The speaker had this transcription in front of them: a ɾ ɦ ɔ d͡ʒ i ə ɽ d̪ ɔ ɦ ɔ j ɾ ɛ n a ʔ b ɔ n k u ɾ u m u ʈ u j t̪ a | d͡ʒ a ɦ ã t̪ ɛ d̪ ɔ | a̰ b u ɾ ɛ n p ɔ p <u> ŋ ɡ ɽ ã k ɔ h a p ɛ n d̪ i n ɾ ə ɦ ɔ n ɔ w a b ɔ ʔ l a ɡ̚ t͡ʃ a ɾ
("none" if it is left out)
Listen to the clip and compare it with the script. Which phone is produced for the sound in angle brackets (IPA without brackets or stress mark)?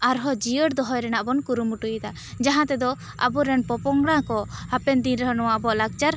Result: ɔ